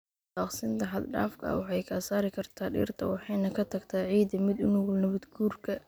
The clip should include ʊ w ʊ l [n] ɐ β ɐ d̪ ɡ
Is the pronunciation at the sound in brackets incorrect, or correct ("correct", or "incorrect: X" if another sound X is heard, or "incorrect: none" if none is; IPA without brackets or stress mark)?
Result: correct